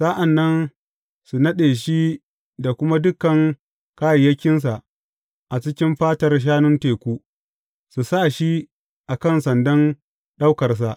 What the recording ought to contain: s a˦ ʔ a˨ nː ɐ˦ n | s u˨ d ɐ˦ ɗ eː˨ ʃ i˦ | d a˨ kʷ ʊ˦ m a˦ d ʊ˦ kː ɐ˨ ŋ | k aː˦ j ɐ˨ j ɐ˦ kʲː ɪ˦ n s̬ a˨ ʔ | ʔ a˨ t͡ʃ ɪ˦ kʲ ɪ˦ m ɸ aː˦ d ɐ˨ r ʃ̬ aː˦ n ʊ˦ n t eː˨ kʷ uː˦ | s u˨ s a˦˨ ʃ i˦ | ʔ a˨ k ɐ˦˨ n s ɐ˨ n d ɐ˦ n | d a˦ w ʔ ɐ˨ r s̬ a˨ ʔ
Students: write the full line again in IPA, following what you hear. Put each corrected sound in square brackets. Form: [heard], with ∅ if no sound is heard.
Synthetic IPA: s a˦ ʔ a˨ nː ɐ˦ n | s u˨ [n] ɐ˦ ɗ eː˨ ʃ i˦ | d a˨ kʷ ʊ˦ m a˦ d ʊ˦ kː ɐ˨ ŋ | k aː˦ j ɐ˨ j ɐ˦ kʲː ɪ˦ n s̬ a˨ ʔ | ʔ a˨ t͡ʃ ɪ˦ kʲ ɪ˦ m ɸ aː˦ [t] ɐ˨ r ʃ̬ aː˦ n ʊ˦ n t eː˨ kʷ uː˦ | s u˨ s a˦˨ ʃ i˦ | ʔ a˨ k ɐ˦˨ n s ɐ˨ n d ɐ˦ n | [ɗ] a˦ w [k] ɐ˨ r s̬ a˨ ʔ